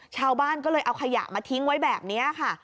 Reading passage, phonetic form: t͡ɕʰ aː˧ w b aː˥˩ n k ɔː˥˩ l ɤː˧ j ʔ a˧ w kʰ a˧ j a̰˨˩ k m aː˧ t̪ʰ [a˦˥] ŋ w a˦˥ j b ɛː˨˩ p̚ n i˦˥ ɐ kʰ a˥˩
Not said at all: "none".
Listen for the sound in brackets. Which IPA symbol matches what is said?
i˦˥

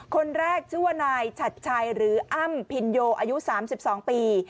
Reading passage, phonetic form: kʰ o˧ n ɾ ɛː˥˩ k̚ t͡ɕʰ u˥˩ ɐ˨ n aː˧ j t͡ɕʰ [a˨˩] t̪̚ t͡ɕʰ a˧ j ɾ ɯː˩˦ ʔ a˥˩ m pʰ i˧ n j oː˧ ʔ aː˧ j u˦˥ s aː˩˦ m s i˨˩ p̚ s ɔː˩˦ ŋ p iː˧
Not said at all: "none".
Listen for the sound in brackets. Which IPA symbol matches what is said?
a˨˩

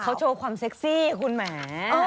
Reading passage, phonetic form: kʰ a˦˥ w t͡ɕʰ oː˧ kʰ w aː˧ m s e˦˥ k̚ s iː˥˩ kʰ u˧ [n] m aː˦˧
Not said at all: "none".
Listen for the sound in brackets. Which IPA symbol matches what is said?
n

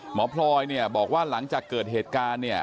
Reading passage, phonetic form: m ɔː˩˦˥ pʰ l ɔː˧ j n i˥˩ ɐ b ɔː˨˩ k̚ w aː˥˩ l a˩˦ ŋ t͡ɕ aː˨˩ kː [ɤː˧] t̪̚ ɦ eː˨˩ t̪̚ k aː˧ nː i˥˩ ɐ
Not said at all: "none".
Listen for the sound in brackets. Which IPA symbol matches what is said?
ɤː˨˩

